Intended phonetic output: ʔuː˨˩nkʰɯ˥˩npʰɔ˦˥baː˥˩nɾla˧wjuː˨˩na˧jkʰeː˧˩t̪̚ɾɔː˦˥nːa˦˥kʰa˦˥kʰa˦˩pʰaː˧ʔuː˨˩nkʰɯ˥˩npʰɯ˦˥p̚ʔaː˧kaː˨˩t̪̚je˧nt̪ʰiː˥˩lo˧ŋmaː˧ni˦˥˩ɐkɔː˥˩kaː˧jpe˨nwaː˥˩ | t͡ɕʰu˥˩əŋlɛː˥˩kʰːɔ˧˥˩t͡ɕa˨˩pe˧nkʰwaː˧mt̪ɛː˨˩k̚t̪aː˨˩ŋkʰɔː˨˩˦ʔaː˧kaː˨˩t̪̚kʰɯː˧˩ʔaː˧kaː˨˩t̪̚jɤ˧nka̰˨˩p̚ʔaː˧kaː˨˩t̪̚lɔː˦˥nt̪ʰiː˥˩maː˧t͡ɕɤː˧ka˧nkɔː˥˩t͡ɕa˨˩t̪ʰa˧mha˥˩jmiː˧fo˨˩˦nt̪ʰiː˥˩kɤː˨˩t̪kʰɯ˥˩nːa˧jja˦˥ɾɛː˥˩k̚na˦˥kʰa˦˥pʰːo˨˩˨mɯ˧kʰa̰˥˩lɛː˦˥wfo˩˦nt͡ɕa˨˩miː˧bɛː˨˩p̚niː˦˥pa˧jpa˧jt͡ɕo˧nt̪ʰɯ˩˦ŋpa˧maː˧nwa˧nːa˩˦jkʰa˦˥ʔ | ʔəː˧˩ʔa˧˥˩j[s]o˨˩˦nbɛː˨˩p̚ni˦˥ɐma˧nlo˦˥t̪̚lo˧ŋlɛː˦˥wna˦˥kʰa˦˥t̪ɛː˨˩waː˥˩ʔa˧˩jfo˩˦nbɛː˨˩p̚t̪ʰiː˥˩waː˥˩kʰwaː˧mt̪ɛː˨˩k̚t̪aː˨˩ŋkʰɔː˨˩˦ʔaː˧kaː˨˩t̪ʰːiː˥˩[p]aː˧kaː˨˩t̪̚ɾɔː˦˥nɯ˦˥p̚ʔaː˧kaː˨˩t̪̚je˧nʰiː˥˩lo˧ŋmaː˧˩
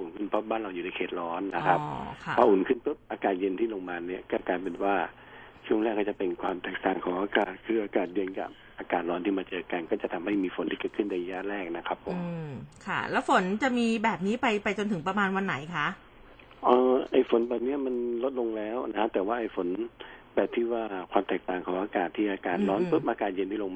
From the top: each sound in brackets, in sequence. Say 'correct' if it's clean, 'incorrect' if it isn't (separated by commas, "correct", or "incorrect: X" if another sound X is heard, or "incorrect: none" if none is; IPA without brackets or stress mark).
incorrect: f, incorrect: ʔ